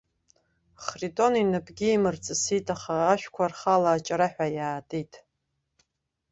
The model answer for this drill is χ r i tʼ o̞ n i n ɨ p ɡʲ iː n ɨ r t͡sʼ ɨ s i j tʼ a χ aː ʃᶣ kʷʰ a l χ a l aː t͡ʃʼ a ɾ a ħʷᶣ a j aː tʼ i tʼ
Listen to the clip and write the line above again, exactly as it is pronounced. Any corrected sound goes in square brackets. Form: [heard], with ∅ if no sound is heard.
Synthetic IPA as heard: χ r i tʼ o̞ n i n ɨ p ɡʲ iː [m] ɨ r t͡sʼ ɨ s i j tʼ a χ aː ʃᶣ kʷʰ a [r] χ a l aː t͡ʃʼ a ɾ a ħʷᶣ a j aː tʼ i tʼ